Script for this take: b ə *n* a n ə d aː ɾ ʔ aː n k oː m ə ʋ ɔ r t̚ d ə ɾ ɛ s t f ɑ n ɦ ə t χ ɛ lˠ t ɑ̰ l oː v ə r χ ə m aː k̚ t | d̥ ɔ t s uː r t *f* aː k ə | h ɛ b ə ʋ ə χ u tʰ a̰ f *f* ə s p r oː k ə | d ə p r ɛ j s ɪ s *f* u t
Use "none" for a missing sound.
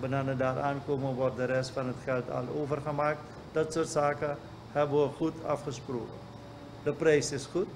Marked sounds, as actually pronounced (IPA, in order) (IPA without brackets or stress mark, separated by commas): n, s, χ, χ